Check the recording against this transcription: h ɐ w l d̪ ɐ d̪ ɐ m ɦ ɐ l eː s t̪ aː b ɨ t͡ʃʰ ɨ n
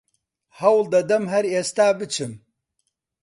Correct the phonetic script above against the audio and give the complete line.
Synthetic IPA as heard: h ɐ w l d̪ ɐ d̪ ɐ m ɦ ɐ ɾ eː s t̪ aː b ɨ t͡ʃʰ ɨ m